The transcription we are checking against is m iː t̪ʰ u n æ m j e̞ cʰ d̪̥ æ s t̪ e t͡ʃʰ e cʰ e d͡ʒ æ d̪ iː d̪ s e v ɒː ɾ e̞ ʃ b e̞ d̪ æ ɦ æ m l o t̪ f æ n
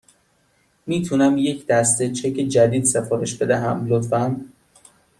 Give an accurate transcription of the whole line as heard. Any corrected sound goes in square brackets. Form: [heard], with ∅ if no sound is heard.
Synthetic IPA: m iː t̪ʰ u n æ m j e̞ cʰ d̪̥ æ s t̪ e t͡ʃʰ e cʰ e d͡ʒ æ d̪ iː d̪ s e [f] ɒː ɾ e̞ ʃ b e̞ d̪ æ ɦ æ m l o t̪ f æ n